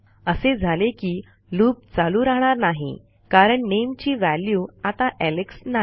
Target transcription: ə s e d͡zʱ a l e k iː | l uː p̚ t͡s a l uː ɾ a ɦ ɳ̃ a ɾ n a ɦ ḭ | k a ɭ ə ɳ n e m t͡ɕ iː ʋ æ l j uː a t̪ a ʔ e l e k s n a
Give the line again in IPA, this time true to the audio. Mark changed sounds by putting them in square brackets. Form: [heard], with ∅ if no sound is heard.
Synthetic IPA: ə s e d͡zʱ a l e k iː | l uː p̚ t͡s a l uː ɾ a ɦ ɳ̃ a ɾ n a ɦ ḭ | k a [ɾ] ə ɳ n e m t͡ɕ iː ʋ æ l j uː a t̪ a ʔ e l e k s n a